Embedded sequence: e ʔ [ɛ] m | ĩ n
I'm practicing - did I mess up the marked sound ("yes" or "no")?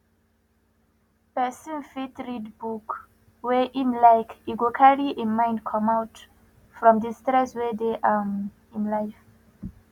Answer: yes